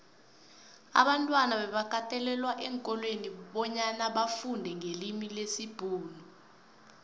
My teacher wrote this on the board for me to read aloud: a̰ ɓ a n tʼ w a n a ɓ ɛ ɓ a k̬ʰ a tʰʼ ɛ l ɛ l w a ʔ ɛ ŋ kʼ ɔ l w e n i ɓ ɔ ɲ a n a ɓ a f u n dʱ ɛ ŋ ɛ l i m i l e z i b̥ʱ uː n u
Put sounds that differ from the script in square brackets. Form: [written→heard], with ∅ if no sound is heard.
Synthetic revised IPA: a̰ ɓ a n tʼ w a n a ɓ ɛ ɓ a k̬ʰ a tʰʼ ɛ l ɛ l w a ʔ ɛ ŋ kʼ ɔ l w e n i ɓ ɔ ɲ a n a ɓ a f u n dʱ ɛ ŋ [ɛ→e] l i m i l e [z→s] i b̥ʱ uː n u